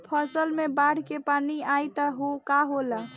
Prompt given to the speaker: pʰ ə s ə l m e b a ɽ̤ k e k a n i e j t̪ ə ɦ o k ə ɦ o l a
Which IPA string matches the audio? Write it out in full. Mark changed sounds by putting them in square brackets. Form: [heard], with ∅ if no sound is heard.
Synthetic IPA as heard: pʰ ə s ə l m e b a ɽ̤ k e [p] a n i [a] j t̪ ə ɦ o k [a] ɦ o l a